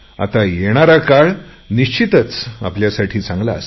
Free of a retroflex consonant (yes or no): no